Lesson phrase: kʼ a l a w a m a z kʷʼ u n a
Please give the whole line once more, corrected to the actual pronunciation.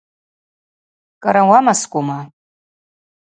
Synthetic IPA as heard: kʼ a ɾ a w a m a s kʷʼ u m a